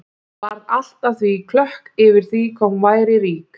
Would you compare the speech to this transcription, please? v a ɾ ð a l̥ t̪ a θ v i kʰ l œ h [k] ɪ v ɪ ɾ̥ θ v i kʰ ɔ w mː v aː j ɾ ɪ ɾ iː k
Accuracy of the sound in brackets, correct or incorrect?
correct